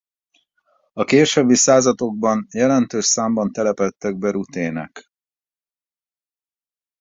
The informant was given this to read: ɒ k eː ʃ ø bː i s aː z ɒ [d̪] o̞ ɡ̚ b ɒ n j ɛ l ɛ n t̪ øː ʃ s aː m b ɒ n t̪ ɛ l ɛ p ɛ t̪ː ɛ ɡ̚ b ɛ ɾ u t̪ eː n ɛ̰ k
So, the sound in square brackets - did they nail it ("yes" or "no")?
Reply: no